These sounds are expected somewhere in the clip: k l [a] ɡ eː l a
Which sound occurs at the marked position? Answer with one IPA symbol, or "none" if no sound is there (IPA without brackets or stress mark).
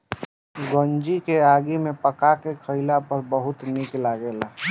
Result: a